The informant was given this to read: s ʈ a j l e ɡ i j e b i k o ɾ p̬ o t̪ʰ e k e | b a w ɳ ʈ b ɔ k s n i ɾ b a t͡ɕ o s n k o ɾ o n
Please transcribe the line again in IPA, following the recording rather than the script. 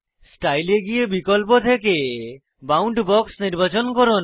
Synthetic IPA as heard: s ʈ a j l e ɡ i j e b i k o l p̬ o t̪ʰ e k e | b a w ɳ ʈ b ɔ k s n i ɾ b a t͡ɕ o n k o ɾ o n